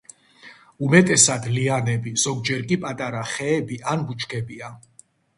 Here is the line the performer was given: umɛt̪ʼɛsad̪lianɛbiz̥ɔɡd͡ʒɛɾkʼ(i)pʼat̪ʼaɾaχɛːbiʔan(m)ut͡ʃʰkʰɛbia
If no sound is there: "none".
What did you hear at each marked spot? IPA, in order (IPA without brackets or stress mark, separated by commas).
i, b